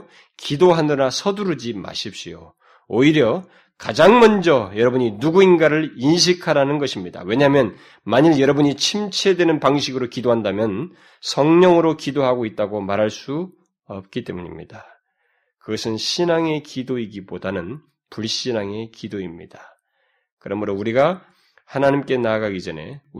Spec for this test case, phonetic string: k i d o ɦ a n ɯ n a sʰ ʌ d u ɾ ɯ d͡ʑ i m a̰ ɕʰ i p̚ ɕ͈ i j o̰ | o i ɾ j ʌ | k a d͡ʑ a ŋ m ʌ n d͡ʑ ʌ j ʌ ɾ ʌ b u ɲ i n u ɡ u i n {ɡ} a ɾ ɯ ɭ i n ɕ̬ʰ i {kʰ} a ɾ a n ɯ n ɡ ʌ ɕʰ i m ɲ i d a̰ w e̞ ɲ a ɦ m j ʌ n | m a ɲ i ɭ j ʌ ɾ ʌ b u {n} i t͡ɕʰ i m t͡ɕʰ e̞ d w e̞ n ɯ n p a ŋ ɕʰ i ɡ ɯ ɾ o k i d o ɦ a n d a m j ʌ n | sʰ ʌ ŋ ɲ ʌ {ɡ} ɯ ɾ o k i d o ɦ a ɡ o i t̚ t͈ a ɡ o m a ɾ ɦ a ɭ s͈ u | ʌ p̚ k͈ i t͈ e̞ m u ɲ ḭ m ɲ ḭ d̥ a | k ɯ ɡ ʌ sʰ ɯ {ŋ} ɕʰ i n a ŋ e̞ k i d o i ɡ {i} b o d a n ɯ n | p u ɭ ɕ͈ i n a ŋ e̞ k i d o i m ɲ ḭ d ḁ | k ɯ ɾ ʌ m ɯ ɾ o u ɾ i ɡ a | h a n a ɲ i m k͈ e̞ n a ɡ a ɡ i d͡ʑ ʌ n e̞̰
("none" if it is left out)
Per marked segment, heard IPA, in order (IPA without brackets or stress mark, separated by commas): ɡ, kʰ, ɲ, ŋ, n, i